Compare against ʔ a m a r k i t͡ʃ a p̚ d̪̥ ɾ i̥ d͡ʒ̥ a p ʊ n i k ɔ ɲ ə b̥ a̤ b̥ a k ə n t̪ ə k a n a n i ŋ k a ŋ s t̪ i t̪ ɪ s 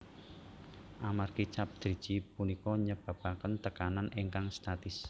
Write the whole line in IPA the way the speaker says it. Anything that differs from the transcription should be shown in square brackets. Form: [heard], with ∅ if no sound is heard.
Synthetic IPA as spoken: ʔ a m a r k i t͡ʃ a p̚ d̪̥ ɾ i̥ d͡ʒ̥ [i] p [u] n i k ɔ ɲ ə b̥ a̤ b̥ a k ə n t̪ ə k a n a n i ŋ k a ŋ s t̪ [a] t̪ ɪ s